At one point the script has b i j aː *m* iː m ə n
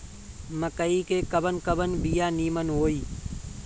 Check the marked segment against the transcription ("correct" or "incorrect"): incorrect